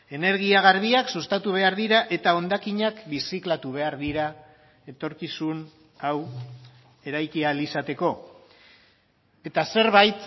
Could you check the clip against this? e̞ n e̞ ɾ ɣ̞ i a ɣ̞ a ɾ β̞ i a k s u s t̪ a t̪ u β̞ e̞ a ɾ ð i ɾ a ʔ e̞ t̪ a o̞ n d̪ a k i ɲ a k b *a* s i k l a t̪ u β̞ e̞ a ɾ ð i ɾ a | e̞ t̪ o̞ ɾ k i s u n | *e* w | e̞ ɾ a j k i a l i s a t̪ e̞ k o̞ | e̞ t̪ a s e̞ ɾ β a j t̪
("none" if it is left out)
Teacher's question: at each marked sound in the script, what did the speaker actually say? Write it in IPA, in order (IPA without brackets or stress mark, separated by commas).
i, a